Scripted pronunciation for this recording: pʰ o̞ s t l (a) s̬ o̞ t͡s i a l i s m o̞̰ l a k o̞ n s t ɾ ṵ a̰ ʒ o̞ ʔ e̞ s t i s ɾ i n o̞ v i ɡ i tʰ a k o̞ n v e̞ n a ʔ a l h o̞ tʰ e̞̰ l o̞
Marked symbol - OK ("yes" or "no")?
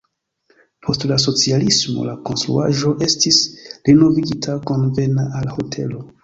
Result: yes